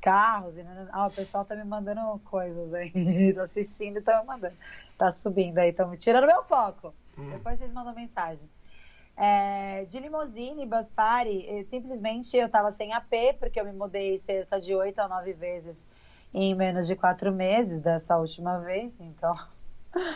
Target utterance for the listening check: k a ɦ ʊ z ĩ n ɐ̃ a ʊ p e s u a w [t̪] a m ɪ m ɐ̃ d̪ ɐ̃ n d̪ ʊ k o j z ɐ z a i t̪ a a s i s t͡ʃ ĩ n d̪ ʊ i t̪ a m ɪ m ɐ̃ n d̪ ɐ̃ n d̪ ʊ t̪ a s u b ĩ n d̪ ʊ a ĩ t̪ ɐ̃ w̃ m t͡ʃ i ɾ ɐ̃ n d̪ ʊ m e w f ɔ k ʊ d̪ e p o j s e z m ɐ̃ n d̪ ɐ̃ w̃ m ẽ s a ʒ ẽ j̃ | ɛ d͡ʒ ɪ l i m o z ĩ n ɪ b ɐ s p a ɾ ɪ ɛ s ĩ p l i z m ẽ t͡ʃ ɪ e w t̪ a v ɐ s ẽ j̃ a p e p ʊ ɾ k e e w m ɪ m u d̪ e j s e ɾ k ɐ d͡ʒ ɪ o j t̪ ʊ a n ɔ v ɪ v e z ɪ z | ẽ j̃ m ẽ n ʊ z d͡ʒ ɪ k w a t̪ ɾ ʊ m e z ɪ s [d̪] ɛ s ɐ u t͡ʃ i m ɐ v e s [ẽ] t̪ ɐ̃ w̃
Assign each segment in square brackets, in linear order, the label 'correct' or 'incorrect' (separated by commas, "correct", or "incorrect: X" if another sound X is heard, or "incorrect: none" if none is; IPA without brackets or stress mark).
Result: correct, correct, correct